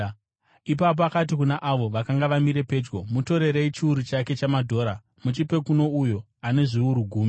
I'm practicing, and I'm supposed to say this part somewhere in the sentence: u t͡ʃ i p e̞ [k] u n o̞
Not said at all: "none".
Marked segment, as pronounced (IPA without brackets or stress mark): k